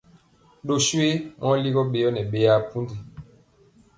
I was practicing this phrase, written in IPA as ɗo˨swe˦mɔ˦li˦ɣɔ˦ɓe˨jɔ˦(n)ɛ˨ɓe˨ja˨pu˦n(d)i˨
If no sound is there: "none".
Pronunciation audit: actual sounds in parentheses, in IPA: n, d

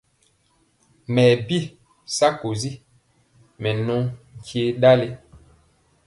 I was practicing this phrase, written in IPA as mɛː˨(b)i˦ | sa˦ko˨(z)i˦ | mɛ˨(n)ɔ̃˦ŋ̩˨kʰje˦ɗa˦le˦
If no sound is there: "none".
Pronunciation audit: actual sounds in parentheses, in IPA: b, z, n

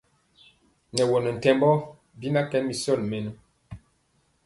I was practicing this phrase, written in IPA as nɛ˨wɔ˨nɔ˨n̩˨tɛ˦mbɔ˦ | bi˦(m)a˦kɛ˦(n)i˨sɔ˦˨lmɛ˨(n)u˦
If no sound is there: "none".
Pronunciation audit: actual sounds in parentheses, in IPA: n, m, n

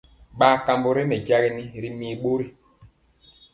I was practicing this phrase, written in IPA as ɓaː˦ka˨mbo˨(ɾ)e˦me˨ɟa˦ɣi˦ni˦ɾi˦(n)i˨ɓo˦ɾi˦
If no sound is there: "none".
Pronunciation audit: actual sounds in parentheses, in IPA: ɾ, m

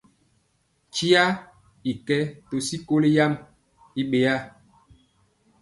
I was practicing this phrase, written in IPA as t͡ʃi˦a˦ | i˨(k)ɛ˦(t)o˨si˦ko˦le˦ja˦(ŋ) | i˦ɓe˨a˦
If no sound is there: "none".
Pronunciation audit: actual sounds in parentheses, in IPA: k, t, m

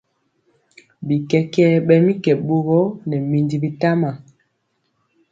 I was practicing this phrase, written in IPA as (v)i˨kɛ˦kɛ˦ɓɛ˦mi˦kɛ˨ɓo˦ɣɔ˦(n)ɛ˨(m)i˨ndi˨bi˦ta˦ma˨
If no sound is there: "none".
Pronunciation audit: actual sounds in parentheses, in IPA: b, n, m

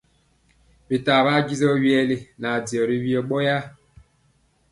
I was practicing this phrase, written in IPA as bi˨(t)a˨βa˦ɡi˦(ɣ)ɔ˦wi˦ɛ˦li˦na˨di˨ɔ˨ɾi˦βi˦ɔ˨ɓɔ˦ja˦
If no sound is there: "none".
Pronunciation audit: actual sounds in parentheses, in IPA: t, z

